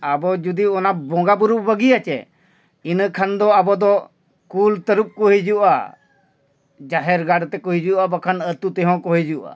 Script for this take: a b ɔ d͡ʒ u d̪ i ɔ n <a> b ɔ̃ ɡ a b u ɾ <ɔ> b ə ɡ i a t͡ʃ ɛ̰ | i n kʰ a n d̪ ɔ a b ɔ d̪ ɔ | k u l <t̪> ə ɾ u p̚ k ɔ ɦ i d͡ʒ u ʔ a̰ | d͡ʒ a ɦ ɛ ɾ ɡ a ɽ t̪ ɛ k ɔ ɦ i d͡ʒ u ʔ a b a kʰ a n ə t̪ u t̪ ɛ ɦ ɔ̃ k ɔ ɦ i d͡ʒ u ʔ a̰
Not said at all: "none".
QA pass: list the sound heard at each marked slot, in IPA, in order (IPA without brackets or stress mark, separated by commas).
a, u, t̪